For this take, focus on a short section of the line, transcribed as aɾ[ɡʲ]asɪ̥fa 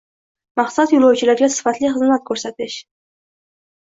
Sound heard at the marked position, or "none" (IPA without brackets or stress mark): ɡʲ